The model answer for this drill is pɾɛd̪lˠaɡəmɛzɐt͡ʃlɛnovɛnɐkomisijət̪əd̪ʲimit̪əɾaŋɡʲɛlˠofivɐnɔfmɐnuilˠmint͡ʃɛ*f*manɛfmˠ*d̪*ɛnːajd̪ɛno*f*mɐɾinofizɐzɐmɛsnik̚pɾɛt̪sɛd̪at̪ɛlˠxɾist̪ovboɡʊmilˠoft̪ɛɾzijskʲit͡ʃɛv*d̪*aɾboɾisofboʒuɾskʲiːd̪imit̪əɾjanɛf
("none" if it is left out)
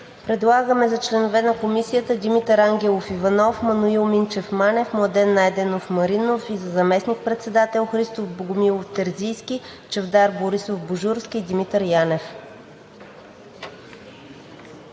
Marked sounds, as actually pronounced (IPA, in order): f, d̪, f, d̪

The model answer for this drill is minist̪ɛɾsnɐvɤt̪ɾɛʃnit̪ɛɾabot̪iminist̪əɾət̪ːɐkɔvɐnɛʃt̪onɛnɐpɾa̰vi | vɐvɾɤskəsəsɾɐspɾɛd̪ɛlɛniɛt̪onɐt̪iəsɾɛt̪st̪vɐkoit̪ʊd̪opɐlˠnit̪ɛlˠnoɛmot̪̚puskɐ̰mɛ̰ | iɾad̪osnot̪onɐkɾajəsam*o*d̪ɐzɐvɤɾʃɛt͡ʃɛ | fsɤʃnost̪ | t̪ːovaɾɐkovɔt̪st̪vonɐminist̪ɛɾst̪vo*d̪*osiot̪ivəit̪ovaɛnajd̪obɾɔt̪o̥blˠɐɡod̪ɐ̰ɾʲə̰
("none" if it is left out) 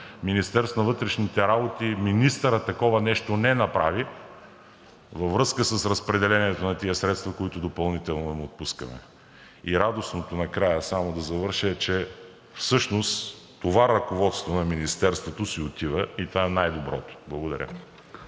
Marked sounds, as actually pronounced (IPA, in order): o, t̪

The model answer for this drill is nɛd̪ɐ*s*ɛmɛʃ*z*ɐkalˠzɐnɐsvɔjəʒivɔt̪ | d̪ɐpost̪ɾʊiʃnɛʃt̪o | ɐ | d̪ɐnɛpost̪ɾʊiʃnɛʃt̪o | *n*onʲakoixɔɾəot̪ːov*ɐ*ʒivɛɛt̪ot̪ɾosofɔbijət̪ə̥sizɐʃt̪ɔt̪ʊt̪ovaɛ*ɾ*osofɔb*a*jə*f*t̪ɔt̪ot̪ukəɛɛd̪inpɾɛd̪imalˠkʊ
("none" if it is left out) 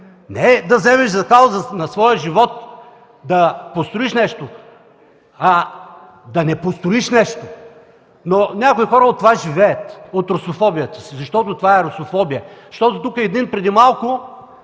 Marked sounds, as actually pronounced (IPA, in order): z, z, n, a, ɾ, i, ʃ

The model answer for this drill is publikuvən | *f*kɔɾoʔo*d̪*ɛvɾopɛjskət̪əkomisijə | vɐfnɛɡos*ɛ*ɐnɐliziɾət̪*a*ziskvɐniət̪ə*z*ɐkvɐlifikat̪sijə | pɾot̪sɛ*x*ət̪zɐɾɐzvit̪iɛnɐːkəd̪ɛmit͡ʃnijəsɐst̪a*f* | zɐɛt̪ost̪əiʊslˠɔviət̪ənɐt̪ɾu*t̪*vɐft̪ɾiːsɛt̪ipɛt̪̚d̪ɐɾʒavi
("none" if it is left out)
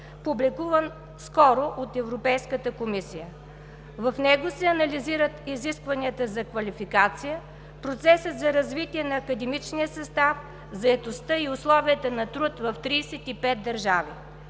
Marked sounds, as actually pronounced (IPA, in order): s, t̪, ɛ, i, z, s, f, t̪

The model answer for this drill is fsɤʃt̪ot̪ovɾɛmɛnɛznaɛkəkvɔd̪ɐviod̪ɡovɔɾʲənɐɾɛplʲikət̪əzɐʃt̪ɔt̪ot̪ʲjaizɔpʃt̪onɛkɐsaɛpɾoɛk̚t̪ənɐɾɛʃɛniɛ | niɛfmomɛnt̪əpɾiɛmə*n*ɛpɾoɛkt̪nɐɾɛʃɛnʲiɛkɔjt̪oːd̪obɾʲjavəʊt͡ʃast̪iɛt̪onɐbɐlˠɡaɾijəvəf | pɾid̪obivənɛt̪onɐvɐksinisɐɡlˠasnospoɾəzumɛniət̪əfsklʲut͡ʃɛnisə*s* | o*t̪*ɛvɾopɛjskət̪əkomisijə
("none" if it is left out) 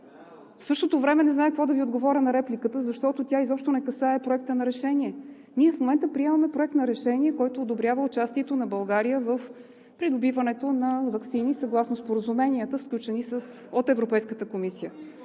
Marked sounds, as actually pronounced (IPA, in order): m, s, t̪

